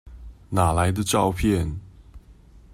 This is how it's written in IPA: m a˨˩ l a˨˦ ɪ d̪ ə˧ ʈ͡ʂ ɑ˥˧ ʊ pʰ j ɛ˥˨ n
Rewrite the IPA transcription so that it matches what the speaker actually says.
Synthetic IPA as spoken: n a˨˩ l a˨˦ ɪ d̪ ə˧ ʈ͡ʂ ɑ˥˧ ʊ pʰ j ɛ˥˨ n